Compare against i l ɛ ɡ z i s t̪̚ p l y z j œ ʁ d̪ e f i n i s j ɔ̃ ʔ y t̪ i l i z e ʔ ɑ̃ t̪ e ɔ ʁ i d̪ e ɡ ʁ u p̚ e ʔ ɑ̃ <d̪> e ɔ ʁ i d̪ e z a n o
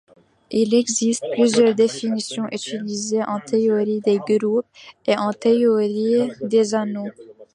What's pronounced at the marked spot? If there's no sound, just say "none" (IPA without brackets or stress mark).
t̪